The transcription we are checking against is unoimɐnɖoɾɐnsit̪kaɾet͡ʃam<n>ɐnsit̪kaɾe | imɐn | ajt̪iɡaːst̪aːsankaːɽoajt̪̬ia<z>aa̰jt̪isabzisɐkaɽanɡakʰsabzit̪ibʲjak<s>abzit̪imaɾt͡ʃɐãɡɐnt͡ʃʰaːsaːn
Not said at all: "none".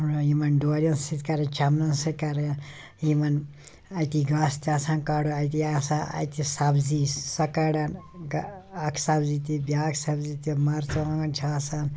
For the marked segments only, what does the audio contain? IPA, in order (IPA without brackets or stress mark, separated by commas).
n, s, s